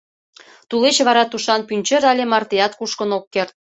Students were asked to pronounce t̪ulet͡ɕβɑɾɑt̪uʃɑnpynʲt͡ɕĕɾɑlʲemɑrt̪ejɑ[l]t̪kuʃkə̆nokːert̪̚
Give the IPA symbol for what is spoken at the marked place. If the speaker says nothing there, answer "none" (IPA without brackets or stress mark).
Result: none